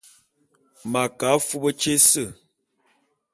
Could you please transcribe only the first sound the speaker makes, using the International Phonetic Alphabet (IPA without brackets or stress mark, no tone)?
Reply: m